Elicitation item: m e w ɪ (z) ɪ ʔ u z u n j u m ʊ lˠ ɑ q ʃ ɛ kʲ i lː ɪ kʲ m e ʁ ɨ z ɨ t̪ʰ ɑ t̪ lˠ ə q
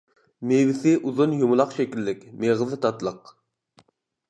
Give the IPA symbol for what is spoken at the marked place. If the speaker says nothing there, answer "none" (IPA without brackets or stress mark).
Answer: s